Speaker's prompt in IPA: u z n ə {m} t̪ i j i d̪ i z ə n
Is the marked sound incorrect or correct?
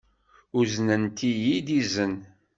incorrect